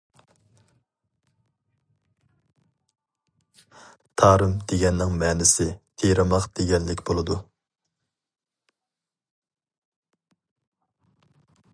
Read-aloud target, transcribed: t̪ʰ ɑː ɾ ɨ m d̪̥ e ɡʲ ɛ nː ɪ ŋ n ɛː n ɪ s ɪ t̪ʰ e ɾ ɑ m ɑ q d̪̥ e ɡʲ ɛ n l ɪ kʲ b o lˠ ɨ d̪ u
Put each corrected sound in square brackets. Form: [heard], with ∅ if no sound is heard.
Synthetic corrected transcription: t̪ʰ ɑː ɾ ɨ m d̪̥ e ɡʲ ɛ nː ɪ ŋ [m] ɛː n ɪ s ɪ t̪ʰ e ɾ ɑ m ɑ q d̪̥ e ɡʲ ɛ n l ɪ kʲ b o lˠ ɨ d̪ u